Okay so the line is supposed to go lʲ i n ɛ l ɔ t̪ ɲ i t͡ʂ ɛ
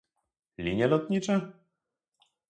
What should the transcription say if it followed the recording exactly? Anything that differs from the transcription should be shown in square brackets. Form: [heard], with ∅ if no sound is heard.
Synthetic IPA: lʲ i [ɲ] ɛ l ɔ t̪ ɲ i t͡ʂ ɛ